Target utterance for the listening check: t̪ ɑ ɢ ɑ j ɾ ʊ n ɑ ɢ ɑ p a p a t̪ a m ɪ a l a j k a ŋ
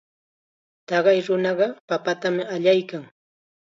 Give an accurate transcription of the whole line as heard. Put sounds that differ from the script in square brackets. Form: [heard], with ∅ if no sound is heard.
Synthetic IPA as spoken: t̪ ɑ ɢ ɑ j ɾ ʊ n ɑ ɢ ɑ p a p a t̪ a m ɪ a [ʎ] a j k a ŋ